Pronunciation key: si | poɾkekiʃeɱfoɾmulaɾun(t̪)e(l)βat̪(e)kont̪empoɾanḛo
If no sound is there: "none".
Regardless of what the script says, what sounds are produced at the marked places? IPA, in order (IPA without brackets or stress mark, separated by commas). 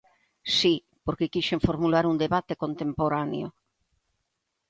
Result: d̪, none, e